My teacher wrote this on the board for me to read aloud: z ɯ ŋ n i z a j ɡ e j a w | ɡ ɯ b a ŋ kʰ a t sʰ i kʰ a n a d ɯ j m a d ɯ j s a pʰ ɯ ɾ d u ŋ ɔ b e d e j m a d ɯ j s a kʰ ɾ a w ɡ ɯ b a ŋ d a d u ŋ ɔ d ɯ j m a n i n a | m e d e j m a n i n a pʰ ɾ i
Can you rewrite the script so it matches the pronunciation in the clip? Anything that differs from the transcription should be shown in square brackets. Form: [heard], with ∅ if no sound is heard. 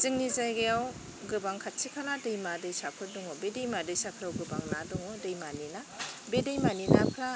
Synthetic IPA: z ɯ ŋ n i z a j ɡ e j a w | ɡ ɯ b a ŋ kʰ a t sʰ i kʰ a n a d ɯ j m a d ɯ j s a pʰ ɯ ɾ d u ŋ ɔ b e d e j m a d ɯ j s a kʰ ɾ a w ɡ ɯ b a ŋ [n] a d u ŋ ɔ d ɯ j m a n i n a | [b] e d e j m a n i n a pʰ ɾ [a]